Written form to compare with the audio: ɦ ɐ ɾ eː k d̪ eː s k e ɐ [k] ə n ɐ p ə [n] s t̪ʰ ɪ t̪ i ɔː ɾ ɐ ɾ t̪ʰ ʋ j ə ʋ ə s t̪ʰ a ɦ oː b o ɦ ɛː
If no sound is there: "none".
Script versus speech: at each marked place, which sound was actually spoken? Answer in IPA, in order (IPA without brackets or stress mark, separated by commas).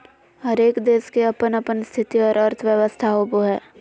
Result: p, n